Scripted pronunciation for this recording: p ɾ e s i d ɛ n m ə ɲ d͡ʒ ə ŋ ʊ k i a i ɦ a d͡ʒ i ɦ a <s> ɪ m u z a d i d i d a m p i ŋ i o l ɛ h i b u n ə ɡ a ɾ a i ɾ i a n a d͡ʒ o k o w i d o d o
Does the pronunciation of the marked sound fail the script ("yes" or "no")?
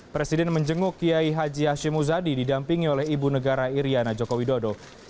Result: yes